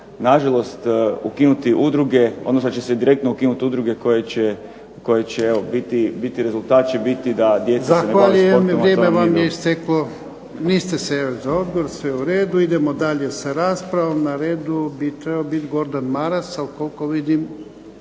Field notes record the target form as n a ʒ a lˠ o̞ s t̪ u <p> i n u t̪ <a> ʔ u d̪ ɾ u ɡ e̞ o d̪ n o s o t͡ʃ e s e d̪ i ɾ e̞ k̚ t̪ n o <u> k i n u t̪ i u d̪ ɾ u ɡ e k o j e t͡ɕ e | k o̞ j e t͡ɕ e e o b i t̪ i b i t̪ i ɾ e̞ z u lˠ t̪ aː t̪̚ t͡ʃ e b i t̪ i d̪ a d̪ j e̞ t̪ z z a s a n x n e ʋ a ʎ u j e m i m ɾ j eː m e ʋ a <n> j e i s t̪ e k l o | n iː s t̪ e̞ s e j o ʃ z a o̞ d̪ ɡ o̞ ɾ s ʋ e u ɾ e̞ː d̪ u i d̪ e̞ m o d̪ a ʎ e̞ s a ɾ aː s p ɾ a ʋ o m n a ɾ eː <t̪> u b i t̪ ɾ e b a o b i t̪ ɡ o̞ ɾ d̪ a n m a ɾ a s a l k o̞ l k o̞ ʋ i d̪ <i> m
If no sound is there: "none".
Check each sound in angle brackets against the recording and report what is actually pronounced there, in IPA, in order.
k, i, u, m, d̪, i

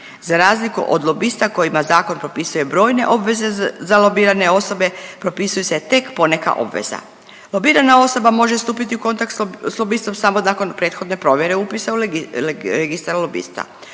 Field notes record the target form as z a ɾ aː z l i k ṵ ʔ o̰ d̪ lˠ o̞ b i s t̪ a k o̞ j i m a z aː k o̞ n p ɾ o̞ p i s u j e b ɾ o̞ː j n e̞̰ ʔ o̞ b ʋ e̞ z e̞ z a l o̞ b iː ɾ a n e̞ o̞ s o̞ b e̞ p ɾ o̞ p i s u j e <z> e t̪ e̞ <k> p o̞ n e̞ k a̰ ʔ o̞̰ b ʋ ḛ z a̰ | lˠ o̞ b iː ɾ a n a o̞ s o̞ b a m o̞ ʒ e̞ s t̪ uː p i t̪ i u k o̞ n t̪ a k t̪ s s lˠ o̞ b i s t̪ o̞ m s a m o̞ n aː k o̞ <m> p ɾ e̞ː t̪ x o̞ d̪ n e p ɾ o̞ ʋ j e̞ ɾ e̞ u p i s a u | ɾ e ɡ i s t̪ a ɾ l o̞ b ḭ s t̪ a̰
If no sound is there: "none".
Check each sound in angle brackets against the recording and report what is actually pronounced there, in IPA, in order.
s, k, n

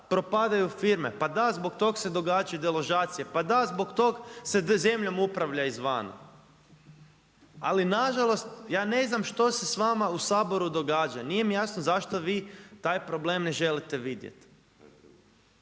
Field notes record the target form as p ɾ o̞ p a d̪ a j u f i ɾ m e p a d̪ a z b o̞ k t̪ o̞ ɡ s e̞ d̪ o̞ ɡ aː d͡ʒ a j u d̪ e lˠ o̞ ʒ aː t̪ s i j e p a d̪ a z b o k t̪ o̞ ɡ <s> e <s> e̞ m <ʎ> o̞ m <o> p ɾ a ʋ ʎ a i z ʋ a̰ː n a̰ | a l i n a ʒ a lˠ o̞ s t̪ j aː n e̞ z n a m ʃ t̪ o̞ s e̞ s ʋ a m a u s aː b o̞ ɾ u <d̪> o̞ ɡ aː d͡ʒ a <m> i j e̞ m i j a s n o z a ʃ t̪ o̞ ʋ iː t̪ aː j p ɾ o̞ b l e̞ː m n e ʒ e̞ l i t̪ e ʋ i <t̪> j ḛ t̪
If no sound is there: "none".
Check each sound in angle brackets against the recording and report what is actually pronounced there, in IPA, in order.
s, z, ʎ, u, d̪, n, d̪

